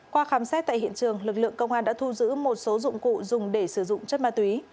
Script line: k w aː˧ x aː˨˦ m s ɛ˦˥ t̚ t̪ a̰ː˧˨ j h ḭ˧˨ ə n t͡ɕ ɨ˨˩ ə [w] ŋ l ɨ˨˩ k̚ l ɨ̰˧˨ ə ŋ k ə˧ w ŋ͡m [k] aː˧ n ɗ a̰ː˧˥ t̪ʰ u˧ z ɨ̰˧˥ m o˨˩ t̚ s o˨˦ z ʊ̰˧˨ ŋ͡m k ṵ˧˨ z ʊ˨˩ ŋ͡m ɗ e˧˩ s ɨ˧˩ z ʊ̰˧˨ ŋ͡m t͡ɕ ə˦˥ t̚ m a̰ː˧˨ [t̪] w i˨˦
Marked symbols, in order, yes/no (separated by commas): no, no, yes